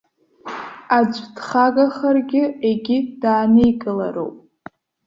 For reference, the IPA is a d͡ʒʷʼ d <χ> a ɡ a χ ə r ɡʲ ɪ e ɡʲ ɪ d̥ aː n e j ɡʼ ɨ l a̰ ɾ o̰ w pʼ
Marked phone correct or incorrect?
correct